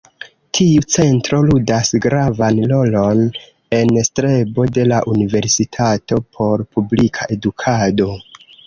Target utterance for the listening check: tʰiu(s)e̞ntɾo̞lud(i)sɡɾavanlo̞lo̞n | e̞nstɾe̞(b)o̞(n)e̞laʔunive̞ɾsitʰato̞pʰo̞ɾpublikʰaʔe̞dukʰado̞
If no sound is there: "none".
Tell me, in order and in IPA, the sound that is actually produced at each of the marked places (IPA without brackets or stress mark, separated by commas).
t͡s, a, b, d